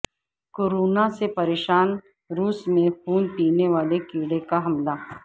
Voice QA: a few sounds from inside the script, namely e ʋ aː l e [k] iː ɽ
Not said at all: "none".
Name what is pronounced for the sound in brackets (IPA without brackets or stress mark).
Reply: k